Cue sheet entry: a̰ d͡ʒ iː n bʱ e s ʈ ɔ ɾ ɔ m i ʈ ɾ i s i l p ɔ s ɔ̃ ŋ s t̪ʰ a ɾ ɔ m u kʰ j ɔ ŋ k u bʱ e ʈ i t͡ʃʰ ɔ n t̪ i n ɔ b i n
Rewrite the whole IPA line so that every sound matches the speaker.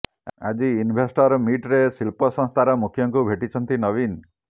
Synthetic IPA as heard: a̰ d͡ʒ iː n bʱ e s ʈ ɔ ɾ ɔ m i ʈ ɾ e s i l p ɔ s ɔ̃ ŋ s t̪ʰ a ɾ ɔ m u kʰ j ɔ ŋ k u bʱ e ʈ i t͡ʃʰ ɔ n t̪ i n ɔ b i n